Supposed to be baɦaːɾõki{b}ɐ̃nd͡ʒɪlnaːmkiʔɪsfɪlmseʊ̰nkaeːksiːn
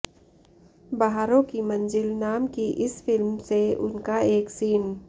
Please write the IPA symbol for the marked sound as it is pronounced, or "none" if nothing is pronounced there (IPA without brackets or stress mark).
m